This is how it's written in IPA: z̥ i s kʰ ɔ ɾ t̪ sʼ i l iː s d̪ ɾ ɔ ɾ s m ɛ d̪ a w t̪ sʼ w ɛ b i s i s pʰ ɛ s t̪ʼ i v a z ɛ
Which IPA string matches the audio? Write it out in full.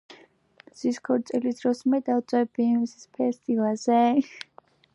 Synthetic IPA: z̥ i s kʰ ɔ ɾ t̪ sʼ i l i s d̪ ɾ ɔ s m ɛ d̪ a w t̪ sʼ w ɛ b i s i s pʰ ɛ s t̪ʼ i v a z ɛ